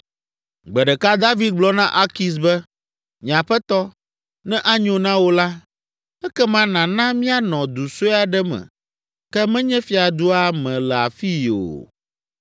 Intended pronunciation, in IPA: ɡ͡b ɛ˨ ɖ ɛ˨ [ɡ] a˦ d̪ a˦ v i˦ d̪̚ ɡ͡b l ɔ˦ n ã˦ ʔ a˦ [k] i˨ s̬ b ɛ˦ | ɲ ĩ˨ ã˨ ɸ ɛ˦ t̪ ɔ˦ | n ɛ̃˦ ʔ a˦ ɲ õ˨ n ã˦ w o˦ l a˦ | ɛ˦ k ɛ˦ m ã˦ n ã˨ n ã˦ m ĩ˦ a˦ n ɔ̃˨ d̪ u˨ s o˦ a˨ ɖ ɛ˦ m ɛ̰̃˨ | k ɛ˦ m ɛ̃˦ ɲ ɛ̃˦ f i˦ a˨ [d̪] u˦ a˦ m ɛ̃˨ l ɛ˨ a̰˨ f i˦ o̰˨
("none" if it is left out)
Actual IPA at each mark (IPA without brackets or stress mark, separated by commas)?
k, k, d̪